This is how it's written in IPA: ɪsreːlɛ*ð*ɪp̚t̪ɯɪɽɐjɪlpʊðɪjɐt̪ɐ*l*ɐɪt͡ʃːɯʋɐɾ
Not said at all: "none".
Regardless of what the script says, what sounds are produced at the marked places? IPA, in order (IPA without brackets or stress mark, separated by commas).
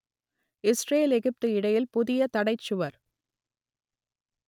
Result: ɣ, ɽ